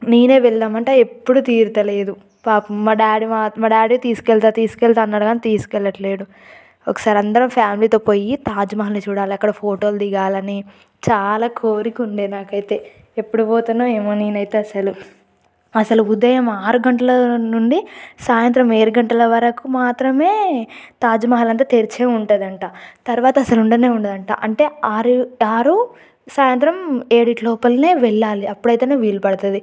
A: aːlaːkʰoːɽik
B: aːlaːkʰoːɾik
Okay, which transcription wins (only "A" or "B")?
B